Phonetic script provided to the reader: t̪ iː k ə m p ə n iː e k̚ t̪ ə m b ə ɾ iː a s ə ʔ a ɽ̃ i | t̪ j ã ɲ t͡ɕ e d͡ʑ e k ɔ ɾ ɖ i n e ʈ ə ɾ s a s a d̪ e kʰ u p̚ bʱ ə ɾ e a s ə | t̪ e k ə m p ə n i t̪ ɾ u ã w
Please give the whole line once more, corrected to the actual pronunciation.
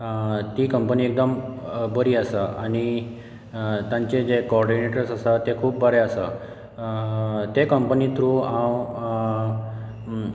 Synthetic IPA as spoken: t̪ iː k ə m p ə n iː e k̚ d̪ ə m b ə ɾ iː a s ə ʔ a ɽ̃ i | t̪ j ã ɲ t͡ɕ e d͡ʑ e k ɔ ɾ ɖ i n e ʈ ə ɾ s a s a t̪ e kʰ uː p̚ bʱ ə ɾ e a s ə | t̪ e k ə m p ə n i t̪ ɾ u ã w